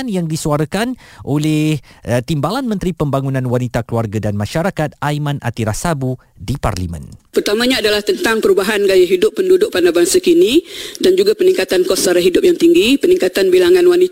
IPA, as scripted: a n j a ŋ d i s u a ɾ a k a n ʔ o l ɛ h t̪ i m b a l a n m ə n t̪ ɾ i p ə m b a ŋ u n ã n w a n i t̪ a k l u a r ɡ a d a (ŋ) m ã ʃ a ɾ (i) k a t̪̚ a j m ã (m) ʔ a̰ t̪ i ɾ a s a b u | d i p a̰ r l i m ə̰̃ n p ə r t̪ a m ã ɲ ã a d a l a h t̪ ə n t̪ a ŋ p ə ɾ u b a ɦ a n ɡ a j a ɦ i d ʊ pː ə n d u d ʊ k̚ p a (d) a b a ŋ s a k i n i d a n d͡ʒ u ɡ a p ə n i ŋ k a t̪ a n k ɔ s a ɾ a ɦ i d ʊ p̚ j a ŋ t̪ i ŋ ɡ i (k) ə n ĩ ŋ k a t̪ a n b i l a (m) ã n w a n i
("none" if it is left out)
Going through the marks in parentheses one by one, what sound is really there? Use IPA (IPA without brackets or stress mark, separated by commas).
n, a, n, n, p, ŋ